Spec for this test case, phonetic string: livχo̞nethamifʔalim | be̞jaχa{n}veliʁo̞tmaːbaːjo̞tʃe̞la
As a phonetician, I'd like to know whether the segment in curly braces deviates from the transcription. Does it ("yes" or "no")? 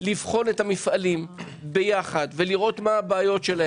yes